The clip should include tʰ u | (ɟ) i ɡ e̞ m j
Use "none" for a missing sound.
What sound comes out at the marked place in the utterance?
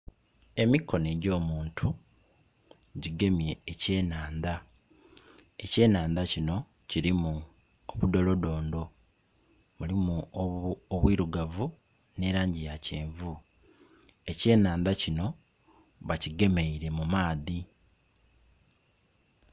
ɟ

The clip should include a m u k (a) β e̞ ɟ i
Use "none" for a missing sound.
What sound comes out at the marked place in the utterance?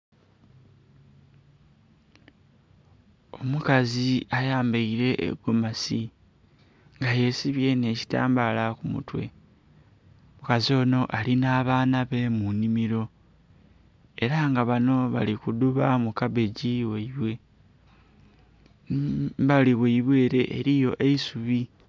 a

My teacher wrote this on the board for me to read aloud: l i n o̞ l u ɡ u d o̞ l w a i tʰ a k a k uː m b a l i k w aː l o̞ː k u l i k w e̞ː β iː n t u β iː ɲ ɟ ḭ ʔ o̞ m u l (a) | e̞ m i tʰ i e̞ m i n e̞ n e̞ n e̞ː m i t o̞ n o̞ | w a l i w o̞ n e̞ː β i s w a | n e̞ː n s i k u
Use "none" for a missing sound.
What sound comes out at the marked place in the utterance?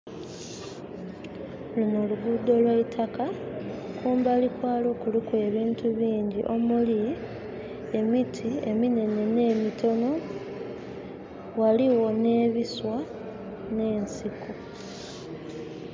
i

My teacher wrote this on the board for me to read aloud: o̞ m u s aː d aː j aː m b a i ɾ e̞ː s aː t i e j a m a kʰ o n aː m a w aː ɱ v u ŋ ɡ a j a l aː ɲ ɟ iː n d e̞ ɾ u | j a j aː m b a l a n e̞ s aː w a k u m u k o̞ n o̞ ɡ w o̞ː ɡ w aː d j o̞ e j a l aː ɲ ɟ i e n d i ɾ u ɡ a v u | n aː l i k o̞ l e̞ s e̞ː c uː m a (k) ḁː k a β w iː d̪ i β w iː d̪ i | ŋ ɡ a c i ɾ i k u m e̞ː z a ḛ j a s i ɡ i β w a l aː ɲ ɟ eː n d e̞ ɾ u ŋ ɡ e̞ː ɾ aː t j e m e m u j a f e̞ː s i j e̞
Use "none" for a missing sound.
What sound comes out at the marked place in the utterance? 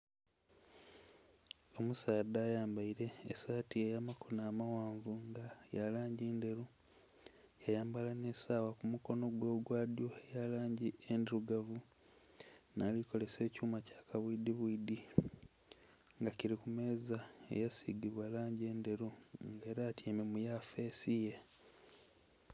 c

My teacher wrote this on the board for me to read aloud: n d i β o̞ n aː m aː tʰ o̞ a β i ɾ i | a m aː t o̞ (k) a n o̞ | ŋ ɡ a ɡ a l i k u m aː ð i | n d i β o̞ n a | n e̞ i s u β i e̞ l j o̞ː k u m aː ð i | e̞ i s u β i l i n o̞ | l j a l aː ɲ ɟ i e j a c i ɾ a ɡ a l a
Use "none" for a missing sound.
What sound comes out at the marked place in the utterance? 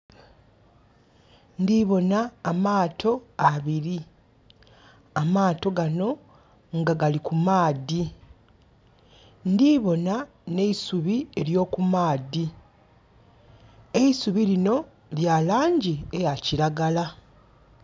ɡ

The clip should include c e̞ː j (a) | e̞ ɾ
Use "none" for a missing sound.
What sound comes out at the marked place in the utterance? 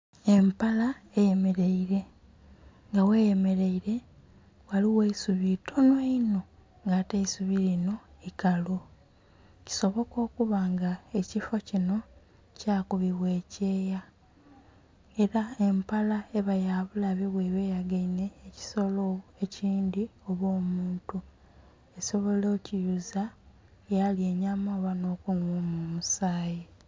a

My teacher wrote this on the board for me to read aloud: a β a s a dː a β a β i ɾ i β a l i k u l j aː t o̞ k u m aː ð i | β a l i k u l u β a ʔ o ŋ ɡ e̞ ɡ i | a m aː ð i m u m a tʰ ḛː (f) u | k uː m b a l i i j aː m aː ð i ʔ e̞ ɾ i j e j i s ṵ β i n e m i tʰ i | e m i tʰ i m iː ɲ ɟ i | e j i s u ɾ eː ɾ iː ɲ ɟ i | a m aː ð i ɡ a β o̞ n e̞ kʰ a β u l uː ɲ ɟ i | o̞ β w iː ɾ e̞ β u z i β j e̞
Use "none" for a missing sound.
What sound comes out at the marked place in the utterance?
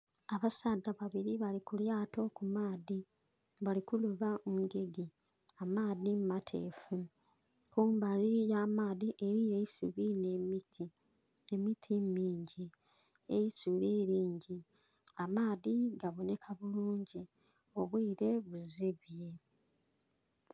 f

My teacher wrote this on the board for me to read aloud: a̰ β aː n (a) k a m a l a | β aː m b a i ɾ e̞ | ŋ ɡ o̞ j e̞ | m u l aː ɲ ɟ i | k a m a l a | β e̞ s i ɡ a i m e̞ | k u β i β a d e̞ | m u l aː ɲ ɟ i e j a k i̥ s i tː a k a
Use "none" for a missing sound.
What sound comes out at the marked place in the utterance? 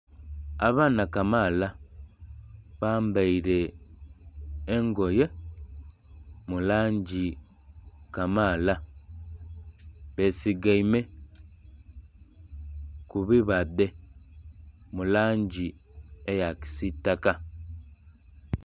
a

